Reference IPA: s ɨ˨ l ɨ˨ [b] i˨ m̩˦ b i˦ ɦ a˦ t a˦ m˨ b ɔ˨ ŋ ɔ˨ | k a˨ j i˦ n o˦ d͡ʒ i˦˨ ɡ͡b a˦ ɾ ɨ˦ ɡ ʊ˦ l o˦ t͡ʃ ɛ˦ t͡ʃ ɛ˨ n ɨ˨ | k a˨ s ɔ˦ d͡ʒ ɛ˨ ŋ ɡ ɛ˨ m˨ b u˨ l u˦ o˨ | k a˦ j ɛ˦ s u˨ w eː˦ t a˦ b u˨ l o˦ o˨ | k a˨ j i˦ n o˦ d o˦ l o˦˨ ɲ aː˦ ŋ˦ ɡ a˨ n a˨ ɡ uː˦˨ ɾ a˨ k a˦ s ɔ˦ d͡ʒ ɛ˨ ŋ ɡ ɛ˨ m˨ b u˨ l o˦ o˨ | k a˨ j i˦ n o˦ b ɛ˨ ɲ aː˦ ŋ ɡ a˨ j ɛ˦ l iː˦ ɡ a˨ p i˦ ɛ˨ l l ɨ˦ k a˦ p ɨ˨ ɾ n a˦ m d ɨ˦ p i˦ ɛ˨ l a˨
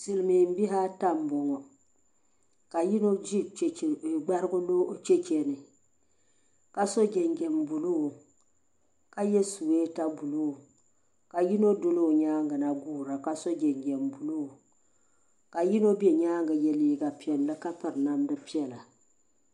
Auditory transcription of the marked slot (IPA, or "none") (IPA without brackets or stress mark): m